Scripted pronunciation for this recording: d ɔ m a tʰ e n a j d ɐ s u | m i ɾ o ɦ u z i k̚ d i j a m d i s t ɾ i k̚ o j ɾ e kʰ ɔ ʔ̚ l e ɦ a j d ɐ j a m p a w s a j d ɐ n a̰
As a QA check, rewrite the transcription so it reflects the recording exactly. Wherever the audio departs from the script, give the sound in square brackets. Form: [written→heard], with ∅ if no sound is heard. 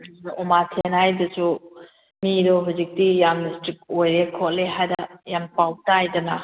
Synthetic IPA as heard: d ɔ m a tʰ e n a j d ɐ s u | m i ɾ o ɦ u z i k̚ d i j a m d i s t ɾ i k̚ o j ɾ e kʰ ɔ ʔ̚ l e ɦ a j d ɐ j a m p a w [s→t] a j d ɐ n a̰